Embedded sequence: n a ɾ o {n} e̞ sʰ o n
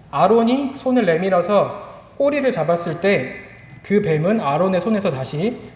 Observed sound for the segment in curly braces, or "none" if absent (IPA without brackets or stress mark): n